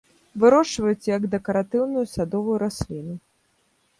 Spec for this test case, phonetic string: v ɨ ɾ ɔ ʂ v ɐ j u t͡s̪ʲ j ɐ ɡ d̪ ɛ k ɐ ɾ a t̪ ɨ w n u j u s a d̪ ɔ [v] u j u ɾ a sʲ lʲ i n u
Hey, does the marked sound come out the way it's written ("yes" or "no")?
yes